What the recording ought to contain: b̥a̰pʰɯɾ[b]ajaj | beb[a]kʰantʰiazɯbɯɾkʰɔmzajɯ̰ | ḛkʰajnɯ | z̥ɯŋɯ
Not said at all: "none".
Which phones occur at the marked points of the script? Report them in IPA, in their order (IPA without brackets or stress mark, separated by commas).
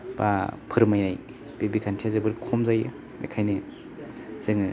m, i